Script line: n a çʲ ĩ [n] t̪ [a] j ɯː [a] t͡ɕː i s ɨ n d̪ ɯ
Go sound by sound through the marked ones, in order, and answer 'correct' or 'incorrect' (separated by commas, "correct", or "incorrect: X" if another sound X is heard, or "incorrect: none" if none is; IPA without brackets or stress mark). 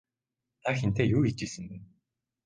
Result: correct, incorrect: e, incorrect: i